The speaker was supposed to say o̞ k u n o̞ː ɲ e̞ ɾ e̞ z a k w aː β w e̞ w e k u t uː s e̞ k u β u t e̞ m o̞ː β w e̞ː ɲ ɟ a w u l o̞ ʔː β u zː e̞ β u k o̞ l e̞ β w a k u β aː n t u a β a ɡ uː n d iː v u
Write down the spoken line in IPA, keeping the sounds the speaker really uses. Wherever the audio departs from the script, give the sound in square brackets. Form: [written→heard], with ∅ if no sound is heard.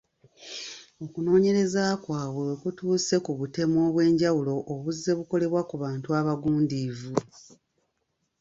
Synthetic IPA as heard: o̞ k u n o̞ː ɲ e̞ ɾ e̞ z a k w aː β w e̞ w e k u t uː s e̞ k u β u t e̞ m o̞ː β w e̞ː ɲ ɟ a w u l o̞ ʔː β u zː e̞ β u k o̞ l e̞ β w a k u β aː n t u a β a ɡ uː n d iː v u

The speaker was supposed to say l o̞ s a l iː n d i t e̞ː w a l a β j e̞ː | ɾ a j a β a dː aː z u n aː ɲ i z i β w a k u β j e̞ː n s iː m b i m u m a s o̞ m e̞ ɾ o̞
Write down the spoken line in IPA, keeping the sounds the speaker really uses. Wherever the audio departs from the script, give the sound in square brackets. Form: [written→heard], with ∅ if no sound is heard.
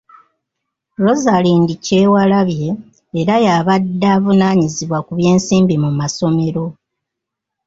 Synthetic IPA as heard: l o̞ [s→z] a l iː n d i [t→c] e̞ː w a l a β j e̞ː | ɾ a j a β a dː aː [z→v] u n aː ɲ i z i β w a k u β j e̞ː n s iː m b i m u m a s o̞ m e̞ ɾ o̞

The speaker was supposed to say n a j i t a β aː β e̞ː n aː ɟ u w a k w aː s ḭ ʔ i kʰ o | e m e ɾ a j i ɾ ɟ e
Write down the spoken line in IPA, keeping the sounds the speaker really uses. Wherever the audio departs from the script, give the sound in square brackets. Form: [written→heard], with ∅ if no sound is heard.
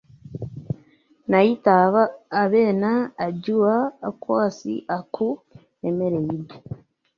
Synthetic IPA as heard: n a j i t a β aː β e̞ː n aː ɟ u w a k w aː s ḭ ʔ [i→a] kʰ [o→u] | e m e ɾ [a→e] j i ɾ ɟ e

